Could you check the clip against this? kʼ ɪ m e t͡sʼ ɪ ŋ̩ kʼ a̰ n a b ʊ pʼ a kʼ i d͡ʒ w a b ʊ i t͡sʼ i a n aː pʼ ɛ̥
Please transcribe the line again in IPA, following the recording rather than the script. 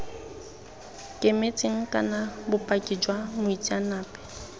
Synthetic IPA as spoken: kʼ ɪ m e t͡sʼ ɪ ŋ̩ kʼ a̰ n a b ʊ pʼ a kʼ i d͡ʒ w a m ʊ i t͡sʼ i a n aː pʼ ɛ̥